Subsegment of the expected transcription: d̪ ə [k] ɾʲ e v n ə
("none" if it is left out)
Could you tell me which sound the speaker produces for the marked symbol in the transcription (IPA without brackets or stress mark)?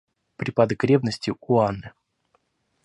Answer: k